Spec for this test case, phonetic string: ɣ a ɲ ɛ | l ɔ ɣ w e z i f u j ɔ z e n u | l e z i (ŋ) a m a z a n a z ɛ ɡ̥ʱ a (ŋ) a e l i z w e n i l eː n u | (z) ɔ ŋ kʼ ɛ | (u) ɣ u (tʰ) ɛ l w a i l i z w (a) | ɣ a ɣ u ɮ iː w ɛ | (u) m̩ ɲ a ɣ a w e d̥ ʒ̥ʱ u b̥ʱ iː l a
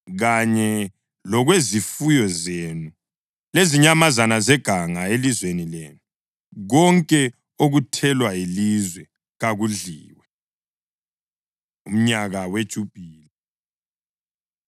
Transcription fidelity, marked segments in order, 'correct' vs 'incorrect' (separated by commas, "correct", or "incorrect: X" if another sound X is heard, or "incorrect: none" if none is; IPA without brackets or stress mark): incorrect: ɲ, correct, incorrect: ɣ, incorrect: o, correct, incorrect: ɛ, correct